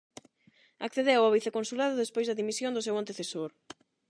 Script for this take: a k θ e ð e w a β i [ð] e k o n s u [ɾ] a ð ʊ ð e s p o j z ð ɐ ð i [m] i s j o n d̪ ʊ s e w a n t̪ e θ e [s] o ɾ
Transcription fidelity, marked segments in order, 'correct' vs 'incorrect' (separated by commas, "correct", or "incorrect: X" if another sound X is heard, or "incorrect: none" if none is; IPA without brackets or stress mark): incorrect: θ, incorrect: l, correct, correct